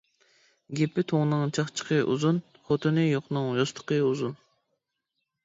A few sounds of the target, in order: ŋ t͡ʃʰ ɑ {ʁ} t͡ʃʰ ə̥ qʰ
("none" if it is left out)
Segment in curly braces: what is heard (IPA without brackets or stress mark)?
χ